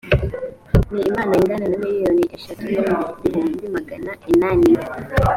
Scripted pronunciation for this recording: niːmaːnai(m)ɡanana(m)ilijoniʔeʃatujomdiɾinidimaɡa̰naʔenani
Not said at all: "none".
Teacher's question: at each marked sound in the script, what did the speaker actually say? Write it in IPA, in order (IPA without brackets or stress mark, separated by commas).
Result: ŋ, m